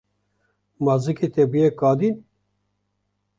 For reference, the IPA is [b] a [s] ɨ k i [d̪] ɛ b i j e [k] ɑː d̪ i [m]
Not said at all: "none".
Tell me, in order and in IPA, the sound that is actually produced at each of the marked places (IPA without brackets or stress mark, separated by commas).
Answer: m, z, t̪, k, n